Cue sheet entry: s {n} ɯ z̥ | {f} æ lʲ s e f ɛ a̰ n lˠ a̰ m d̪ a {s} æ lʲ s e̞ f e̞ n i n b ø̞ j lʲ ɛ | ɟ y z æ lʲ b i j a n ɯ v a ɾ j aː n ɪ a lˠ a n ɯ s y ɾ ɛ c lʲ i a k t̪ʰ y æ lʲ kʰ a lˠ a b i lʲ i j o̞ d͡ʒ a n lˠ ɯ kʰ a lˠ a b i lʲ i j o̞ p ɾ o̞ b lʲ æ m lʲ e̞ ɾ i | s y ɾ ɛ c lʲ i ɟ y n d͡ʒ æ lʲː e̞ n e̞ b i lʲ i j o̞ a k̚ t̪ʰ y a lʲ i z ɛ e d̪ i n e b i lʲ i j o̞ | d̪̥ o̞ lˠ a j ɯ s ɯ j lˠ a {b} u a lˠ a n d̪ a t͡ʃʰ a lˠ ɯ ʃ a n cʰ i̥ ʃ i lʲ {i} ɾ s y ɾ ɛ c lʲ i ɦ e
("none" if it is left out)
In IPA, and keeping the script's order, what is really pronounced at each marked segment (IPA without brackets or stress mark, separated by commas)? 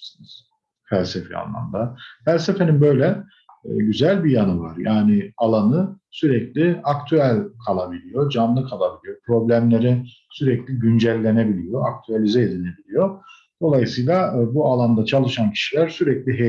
n, f, f, b, æ